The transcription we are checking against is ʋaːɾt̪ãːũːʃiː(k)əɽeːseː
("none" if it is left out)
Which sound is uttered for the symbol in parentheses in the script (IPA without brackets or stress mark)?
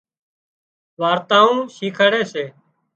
kʰ